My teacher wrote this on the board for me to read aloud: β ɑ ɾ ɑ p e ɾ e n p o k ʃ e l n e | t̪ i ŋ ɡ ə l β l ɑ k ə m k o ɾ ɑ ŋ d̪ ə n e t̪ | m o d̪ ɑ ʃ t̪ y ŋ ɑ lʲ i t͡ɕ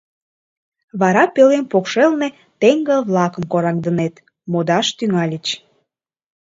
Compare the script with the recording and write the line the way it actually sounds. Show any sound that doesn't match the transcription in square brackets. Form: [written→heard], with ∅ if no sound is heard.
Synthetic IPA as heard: β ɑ ɾ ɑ p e [ɾ→l] e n p o k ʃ e l n e | t̪ [i→e] ŋ ɡ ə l β l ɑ k ə m k o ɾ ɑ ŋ d̪ ə n e t̪ | m o d̪ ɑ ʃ t̪ y ŋ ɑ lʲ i t͡ɕ